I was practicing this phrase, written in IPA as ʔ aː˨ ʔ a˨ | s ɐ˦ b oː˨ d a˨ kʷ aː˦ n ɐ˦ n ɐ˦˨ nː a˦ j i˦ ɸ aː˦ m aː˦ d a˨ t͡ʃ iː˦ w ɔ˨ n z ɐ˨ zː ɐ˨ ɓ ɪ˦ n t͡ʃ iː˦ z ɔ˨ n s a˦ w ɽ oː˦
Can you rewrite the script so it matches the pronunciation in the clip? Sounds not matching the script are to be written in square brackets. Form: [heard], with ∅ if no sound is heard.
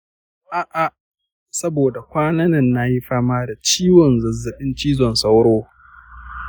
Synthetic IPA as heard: ʔ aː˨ ʔ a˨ | s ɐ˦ b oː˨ d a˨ kʷ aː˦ n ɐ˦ n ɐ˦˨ nː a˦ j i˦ ɸ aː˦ m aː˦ d a˨ t͡ʃ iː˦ w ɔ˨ n z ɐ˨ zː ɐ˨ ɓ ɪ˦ n t͡ʃ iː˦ z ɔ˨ n s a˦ w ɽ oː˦